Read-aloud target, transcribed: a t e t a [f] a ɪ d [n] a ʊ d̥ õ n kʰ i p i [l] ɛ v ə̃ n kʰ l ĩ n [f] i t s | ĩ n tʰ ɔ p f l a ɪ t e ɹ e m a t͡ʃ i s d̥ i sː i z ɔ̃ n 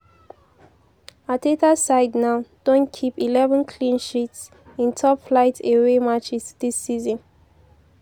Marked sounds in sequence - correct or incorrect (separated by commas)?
incorrect, correct, correct, incorrect